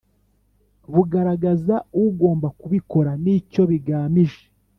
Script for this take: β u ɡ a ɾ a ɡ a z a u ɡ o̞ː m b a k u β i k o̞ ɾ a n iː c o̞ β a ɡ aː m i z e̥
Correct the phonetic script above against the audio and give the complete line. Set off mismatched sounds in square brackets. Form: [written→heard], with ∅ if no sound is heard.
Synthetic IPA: β u ɡ a ɾ a ɡ a z a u ɡ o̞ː m b a k u β i k o̞ ɾ a n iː c o̞ β [a→i] ɡ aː m i [z→ʒ] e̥